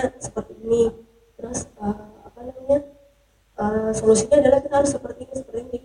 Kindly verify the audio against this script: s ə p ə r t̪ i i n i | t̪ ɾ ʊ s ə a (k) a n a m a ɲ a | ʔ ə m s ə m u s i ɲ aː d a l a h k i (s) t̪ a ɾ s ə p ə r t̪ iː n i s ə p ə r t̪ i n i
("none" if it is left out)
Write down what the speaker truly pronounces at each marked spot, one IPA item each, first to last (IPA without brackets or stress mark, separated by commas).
p, none